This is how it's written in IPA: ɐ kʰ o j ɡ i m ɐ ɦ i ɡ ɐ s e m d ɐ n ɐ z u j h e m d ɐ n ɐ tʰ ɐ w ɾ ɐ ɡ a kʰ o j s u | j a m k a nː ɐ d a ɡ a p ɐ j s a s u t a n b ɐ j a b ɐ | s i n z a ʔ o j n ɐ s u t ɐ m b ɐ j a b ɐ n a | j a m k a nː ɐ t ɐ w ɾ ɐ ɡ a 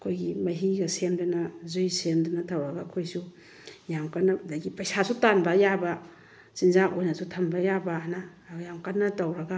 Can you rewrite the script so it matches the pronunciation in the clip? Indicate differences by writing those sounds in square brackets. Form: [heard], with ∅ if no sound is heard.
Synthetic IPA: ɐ kʰ o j ɡ i m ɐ ɦ i ɡ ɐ s e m d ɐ n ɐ z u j [s] e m d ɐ n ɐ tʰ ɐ w ɾ ɐ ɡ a kʰ o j s u | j a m k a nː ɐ d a ɡ [i] p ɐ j s a s u t a n b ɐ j a b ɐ | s i n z a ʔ o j n ɐ s u [tʰ] ɐ m b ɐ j a b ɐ n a | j a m k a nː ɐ t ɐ w ɾ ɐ ɡ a